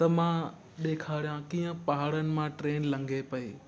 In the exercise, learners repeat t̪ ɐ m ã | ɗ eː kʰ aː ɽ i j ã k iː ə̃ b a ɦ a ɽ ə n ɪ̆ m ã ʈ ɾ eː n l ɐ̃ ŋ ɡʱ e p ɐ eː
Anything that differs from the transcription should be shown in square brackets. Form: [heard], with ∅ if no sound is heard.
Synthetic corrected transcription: t̪ ɐ m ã | ɗ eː kʰ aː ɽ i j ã k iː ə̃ [p] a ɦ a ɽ ə n ɪ̆ m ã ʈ ɾ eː n l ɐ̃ ŋ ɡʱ e p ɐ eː

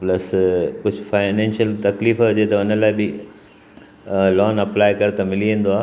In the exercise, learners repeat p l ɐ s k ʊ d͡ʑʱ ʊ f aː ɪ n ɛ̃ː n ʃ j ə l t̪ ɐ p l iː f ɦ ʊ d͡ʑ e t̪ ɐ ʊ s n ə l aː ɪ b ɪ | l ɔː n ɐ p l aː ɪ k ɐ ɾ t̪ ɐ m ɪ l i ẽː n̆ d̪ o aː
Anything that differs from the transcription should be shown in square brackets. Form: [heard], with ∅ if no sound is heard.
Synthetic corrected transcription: p l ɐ s k ʊ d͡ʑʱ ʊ f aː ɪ n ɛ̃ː n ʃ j ə l t̪ ɐ [k] l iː f ɦ ʊ d͡ʑ e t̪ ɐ ʊ [∅] n ə l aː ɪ b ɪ | l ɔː n ɐ p l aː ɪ k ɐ ɾ t̪ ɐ m ɪ l i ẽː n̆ d̪ o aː

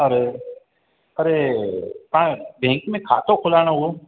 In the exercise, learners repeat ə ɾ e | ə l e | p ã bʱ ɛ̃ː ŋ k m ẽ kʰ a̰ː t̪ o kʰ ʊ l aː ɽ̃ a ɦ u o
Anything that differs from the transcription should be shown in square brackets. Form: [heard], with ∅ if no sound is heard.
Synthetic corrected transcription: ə ɾ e | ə [ɾ] e | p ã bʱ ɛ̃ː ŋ k m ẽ kʰ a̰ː t̪ o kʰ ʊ l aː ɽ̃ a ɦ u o

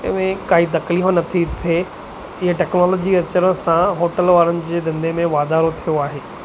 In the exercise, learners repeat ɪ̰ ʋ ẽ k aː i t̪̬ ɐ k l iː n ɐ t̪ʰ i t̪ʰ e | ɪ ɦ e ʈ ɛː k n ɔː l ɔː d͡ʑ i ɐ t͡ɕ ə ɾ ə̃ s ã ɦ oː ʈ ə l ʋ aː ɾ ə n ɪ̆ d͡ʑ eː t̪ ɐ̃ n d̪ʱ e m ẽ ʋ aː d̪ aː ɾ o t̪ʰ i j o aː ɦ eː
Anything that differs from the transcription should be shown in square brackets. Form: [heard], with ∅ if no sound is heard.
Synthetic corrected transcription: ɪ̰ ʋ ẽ k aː i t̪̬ ɐ k l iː n ɐ t̪ʰ i t̪ʰ e | ɪ ɦ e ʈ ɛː k n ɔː l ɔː d͡ʑ i ɐ t͡ɕ ə ɾ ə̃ s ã ɦ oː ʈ ə l ʋ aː ɾ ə n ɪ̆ d͡ʑ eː [d̪] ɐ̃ n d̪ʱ e m ẽ ʋ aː d̪ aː ɾ o t̪ʰ i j o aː ɦ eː

